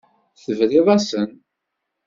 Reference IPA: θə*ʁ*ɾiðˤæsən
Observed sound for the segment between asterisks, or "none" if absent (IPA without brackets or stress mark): v